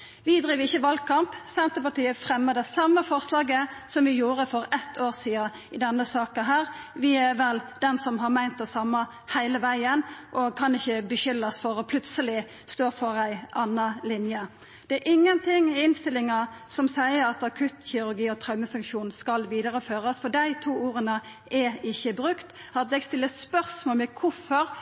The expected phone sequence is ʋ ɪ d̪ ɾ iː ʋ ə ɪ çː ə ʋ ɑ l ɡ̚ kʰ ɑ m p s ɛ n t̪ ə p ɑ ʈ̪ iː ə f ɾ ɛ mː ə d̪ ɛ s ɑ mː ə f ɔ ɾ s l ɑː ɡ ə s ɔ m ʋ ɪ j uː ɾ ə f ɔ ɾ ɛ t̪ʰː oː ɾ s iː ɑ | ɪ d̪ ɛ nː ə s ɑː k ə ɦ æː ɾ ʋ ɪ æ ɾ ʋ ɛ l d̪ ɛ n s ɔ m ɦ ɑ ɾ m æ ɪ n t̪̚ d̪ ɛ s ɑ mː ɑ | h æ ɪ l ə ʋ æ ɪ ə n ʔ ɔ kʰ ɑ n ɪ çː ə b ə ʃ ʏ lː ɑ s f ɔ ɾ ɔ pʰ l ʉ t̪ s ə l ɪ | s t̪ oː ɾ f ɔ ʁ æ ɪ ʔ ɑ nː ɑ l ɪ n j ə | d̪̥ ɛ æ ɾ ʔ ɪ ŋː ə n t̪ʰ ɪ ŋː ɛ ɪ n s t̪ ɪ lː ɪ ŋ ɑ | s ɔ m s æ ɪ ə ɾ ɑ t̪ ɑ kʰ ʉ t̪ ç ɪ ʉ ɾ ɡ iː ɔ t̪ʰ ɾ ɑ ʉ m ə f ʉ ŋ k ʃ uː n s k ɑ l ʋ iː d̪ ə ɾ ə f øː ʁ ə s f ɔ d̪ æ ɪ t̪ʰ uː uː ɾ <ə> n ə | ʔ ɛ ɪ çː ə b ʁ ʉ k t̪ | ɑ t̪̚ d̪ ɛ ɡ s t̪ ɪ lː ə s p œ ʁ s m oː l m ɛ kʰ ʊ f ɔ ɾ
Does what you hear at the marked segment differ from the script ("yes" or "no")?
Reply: no